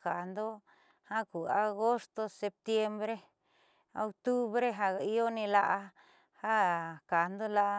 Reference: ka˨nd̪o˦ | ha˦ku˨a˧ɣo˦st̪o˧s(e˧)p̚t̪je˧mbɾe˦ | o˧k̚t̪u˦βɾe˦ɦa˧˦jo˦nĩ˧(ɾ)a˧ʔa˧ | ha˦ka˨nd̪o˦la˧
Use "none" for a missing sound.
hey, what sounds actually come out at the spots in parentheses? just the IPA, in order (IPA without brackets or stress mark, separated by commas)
e˧, l